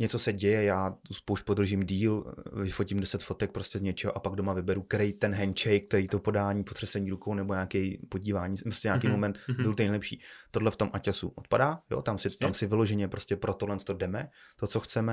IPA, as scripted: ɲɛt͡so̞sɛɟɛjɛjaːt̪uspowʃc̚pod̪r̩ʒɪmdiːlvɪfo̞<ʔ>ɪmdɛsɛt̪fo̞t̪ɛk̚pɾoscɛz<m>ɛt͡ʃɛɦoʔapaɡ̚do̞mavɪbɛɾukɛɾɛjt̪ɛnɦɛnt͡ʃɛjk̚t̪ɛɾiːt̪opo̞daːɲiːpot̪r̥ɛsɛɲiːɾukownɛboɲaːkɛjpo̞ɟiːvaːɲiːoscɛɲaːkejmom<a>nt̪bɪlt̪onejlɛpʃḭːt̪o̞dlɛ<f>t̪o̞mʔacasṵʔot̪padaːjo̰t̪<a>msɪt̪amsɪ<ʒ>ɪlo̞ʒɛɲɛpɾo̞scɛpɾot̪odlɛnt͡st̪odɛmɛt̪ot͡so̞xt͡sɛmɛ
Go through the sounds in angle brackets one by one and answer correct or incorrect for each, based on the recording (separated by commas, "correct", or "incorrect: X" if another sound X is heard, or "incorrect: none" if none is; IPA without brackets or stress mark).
incorrect: c, incorrect: ɲ, incorrect: ɛ, correct, correct, incorrect: v